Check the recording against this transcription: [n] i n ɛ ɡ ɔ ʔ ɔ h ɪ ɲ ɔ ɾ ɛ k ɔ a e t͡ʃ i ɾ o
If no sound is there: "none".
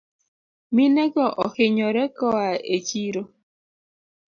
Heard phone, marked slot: m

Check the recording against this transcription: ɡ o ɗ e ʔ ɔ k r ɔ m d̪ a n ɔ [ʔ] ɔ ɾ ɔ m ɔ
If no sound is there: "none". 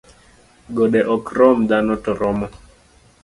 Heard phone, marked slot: t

